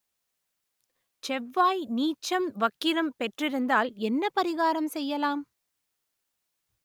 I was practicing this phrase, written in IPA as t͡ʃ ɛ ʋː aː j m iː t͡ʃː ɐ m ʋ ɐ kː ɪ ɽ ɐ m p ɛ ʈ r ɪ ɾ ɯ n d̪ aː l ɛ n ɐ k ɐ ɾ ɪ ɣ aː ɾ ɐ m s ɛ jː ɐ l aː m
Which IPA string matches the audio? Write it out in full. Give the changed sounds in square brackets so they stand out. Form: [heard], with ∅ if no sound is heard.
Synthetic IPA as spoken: t͡ʃ ɛ ʋː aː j [n] iː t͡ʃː ɐ m ʋ ɐ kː ɪ [ɾ] ɐ m p ɛ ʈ r ɪ ɾ ɯ n d̪ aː l ɛ [nː] ɐ [p] ɐ ɾ ɪ ɣ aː ɾ ɐ m s ɛ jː ɐ l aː m

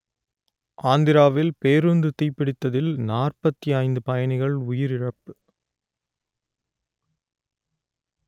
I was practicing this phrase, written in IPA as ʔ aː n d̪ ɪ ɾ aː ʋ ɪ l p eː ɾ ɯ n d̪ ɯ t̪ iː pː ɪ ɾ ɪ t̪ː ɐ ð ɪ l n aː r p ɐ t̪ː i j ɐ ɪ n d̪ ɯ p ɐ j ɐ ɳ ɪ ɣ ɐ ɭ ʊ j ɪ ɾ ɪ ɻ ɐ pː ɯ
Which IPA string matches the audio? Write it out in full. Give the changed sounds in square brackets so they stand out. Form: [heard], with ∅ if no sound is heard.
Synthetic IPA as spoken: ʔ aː n d̪ ɪ ɾ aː ʋ ɪ l p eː ɾ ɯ n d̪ ɯ t̪ iː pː ɪ [ɽ] ɪ t̪ː ɐ ð ɪ l n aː r p ɐ t̪ː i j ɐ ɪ n d̪ ɯ p ɐ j ɐ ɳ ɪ ɣ ɐ ɭ ʊ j ɪ ɾ ɪ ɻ ɐ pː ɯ

